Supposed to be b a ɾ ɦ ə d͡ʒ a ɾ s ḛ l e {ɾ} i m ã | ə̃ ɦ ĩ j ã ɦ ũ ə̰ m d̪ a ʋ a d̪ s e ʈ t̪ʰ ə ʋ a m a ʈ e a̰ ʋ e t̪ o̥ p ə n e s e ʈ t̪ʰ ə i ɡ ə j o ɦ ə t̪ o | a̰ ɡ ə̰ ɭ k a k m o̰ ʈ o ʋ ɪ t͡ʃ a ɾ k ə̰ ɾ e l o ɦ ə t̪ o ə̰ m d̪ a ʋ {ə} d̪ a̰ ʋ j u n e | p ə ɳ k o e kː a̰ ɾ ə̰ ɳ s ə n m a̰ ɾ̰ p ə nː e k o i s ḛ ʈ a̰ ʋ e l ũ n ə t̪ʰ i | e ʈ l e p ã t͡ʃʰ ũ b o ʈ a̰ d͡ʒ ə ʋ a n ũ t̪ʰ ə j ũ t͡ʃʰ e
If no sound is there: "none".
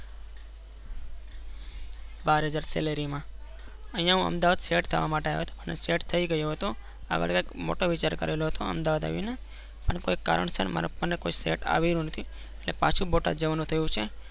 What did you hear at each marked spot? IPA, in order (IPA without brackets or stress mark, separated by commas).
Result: ɾ, a